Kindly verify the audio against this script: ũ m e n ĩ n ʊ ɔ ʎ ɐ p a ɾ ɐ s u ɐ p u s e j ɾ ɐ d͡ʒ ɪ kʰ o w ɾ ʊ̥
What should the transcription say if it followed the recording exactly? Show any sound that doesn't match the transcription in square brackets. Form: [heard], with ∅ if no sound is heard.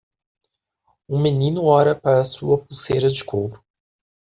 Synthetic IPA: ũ m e n ĩ n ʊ ɔ [ɾ] ɐ p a ɾ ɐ s u ɐ p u s e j ɾ ɐ d͡ʒ ɪ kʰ o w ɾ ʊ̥